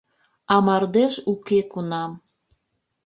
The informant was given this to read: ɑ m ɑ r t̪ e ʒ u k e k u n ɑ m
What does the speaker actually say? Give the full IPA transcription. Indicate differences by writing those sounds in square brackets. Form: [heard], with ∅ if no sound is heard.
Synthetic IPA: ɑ m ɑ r [d̪] e [ʃ] u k e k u n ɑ m